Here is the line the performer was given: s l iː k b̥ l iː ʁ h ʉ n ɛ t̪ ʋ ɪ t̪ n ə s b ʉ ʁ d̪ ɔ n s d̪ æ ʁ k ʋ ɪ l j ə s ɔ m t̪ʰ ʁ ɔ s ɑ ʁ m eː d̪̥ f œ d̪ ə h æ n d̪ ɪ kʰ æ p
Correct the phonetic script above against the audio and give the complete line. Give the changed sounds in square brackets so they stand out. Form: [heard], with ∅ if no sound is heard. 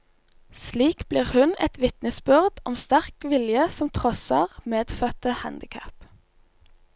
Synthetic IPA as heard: s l iː k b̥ l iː ʁ h ʉ n ɛ t̪ ʋ ɪ t̪ n ə s b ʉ ʁ d̪ ɔ [m] s [t̪] æ ʁ k ʋ ɪ l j ə s ɔ m t̪ʰ ʁ ɔ s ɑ ʁ m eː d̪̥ f œ [t̪] ə h æ n d̪ ɪ kʰ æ p